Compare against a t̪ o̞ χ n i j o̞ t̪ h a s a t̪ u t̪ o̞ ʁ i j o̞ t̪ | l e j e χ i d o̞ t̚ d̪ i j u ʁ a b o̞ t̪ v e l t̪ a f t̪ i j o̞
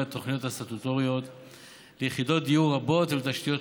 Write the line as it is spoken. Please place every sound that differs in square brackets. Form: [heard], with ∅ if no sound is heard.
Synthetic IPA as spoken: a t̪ o̞ χ n i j o̞ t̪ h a s a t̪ u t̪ o̞ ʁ i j o̞ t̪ | l e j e χ i d o̞ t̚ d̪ i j u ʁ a b o̞ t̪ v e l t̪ a [ʃ] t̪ i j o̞